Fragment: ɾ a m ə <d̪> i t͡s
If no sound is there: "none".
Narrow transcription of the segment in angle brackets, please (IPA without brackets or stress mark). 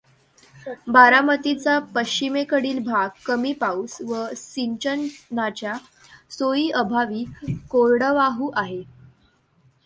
t̪